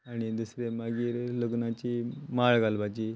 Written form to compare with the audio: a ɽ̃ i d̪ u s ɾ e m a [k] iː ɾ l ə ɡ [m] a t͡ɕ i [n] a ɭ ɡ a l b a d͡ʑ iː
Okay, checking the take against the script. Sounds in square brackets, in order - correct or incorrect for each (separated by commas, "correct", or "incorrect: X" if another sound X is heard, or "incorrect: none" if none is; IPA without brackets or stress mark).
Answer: incorrect: ɡ, incorrect: n, incorrect: m